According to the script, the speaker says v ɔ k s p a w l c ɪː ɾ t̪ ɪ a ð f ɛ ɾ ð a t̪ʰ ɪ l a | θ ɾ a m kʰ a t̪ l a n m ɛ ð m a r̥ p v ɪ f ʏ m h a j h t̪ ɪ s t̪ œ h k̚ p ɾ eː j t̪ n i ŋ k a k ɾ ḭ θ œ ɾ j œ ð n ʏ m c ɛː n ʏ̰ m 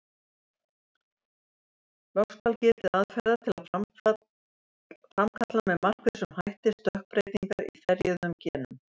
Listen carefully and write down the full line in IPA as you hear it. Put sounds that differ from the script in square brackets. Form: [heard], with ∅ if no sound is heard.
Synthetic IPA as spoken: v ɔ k s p a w l c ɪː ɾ t̪ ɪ a ð f ɛ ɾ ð a t̪ʰ ɪ l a | [f] ɾ a m kʰ a t̪ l a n m ɛ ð m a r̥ [k] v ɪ [s] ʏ m h a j h t̪ ɪ s t̪ œ h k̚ p ɾ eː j t̪ n i ŋ k a [∅] ɾ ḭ θ [ɛ] ɾ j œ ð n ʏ m c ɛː n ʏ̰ m